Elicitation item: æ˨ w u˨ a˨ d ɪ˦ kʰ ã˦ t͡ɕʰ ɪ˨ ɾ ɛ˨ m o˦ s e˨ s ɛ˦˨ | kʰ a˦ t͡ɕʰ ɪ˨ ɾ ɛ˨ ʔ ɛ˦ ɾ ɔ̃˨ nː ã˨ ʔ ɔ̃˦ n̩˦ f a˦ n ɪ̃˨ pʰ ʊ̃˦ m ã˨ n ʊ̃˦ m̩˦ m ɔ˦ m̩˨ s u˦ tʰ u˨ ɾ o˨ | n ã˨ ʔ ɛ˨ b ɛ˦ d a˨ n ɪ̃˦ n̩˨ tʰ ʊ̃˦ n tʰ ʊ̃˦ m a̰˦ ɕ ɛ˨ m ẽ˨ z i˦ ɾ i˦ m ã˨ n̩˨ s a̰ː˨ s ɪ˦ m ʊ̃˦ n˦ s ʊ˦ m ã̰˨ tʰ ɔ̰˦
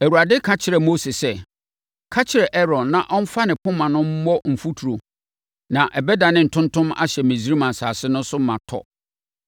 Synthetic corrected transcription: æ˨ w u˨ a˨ d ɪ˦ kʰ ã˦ t͡ɕʰ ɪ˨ ɾ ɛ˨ m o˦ s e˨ s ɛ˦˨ | kʰ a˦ t͡ɕʰ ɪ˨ ɾ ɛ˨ ʔ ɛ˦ ɾ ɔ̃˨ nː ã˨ ʔ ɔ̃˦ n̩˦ f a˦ n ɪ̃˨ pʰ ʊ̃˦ m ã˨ n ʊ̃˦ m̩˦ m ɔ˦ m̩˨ f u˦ tʰ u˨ ɾ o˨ | n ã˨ ʔ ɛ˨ b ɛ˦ d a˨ n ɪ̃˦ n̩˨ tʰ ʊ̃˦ n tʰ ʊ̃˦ m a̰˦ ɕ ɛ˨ m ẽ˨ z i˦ ɾ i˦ m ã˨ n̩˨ s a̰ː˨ s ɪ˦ n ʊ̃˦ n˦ s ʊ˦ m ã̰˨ tʰ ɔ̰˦